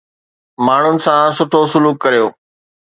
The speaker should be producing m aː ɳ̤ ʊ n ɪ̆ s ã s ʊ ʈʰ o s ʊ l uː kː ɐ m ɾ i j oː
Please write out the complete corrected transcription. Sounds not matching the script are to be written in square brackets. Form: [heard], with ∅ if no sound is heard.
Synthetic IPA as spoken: m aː ɳ̤ ʊ n ɪ̆ s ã s ʊ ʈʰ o s ʊ l uː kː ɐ [∅] ɾ i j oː